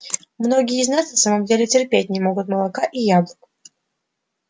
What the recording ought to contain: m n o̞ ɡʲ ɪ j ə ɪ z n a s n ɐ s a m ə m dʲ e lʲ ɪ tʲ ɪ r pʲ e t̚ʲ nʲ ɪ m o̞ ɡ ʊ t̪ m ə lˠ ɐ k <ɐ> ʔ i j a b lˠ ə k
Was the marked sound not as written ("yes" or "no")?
yes